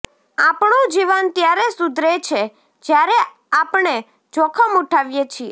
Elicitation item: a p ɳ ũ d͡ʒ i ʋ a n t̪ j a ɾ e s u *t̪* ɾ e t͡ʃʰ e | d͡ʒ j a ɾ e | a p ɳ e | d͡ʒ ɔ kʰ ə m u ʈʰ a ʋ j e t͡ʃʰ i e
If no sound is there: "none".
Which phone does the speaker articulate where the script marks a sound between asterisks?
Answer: d̪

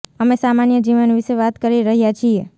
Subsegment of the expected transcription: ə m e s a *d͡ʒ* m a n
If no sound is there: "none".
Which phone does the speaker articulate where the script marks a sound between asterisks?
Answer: none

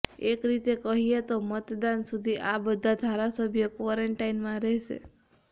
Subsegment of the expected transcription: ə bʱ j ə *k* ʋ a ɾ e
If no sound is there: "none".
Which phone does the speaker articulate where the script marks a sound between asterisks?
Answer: k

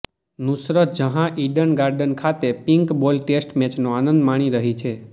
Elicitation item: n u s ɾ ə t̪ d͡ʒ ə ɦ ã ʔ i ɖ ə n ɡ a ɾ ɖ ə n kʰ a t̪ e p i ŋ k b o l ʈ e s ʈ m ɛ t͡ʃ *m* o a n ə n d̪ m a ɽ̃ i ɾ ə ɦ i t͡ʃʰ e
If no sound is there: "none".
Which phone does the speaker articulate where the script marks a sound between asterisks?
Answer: n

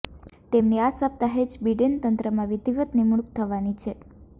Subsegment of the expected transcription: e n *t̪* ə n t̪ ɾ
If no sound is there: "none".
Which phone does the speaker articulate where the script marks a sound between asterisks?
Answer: t̪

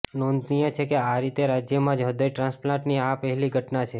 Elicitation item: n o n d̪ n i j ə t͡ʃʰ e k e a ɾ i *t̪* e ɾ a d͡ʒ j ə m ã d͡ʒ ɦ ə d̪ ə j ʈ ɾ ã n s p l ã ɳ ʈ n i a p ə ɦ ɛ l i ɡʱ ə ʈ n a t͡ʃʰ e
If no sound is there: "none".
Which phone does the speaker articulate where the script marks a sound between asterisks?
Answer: t̪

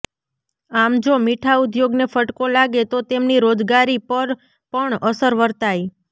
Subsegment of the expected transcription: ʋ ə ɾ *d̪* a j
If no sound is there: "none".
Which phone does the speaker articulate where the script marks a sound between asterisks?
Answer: t̪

